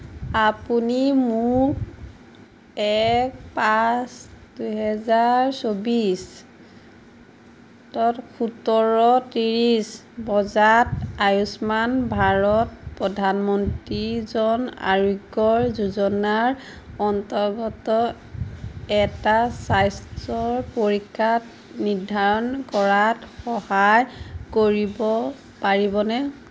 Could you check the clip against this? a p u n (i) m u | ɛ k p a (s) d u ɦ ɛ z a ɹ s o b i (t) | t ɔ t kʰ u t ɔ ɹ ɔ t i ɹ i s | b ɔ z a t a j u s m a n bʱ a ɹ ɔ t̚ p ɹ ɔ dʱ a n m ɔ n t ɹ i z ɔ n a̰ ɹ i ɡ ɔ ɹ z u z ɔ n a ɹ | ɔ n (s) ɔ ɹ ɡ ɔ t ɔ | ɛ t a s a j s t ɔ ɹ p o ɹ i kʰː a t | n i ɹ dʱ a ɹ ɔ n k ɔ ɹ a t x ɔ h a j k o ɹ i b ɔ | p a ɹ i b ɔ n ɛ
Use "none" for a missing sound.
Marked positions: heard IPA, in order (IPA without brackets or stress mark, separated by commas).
i, s, s, t